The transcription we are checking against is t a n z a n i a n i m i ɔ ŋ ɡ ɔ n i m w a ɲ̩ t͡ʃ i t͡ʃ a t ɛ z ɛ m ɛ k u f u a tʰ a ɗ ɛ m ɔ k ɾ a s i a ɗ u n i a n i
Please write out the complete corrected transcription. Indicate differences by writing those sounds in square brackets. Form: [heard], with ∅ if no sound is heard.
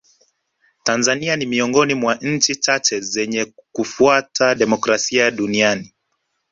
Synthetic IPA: t a n z a n i a n i m i ɔ ŋ ɡ ɔ n i m w a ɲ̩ t͡ʃ i t͡ʃ a [t͡ʃ] ɛ z ɛ [ɲ] ɛ k u f u a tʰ a ɗ ɛ m ɔ k ɾ a s i a ɗ u n i a n i